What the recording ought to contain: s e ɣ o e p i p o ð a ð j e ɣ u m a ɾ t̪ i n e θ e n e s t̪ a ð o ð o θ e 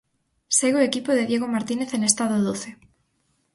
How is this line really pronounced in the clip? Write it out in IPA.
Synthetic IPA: s e ɣ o e k i p o ð e ð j e ɣ o m a ɾ t̪ i n e θ e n e s t̪ a ð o ð o θ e